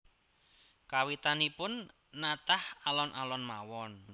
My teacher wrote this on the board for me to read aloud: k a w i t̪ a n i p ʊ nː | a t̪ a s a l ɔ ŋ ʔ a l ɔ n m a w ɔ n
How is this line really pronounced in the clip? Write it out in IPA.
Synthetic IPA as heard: k a w i t̪ a n i p ʊ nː | a t̪ a h a l ɔ n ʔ a l ɔ n m a w ɔ n